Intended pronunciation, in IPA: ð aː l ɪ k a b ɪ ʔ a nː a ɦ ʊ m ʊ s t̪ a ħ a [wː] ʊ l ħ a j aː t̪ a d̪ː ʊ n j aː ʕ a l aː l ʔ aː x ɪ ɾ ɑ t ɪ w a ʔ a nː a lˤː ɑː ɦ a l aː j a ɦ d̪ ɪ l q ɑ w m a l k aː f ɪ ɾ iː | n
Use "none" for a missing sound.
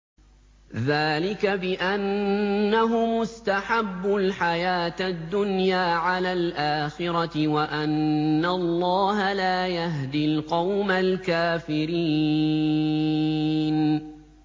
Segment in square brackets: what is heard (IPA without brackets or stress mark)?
bː